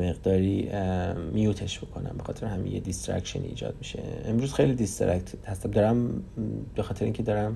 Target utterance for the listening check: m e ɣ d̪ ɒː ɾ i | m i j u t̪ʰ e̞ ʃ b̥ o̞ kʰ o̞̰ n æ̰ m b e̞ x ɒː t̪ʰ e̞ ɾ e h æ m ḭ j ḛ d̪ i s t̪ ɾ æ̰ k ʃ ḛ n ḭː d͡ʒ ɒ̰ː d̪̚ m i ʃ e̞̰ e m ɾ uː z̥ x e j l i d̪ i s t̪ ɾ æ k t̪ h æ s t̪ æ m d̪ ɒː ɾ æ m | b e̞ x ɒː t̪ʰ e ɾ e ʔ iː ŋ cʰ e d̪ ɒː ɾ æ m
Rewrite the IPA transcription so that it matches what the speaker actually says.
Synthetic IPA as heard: m e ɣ d̪ ɒː ɾ i | m i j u t̪ʰ e̞ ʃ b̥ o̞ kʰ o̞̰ n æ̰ m b e̞ x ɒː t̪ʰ e̞ ɾ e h æ m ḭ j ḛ d̪ i s t̪ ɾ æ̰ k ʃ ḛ n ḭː d͡ʒ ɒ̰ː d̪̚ m i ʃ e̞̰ e m ɾ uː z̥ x e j l i d̪ i s t̪ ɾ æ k t̪ h æ s t̪ æ m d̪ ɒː ɾ æ m | b e̞ x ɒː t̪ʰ e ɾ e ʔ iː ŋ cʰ e d̪ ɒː ɾ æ m